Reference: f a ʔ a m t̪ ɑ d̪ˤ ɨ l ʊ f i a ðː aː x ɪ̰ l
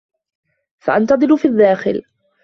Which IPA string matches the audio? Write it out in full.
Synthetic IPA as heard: f a ʔ a n t̪ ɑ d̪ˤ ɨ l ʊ f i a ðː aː x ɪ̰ l